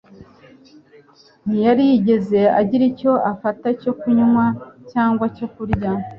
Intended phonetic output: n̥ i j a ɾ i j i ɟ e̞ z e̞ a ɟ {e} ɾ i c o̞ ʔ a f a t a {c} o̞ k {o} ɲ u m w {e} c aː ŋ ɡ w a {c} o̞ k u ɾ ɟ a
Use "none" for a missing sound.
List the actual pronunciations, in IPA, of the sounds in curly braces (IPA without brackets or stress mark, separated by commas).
i, c, u, a, c